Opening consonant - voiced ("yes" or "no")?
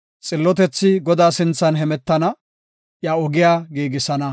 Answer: no